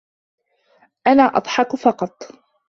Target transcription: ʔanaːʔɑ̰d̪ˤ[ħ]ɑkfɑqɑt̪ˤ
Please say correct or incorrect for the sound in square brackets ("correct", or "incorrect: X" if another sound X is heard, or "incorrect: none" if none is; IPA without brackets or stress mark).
correct